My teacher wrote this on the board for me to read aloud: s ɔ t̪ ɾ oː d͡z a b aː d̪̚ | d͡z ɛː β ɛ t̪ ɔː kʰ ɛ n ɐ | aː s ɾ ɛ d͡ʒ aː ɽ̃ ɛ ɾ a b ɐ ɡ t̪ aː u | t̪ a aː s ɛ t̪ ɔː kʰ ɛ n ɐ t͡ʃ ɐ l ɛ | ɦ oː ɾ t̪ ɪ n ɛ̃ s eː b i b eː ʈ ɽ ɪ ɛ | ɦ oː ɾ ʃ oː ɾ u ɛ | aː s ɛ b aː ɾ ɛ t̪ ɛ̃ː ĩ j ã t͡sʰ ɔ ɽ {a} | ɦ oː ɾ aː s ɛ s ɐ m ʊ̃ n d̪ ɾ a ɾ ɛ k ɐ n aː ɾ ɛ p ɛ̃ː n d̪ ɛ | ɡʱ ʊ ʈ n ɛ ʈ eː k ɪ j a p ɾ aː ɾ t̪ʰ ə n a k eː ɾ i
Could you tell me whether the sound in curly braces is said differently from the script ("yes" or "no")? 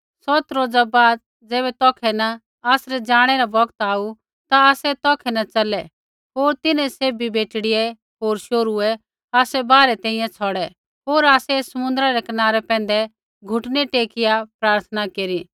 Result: yes